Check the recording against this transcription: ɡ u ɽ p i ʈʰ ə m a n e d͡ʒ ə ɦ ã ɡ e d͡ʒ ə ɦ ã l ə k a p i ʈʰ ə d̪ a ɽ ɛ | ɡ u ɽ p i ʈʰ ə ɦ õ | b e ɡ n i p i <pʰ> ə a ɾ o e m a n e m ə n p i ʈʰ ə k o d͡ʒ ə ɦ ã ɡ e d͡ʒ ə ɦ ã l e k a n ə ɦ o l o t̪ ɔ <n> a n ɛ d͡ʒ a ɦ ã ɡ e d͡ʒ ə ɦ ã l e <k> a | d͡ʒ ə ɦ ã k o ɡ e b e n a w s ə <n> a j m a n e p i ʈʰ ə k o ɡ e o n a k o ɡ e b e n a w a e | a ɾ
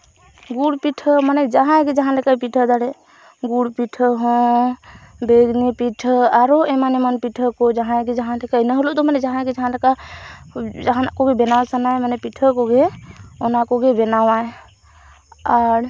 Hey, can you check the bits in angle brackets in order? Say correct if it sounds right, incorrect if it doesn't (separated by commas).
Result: incorrect, incorrect, correct, correct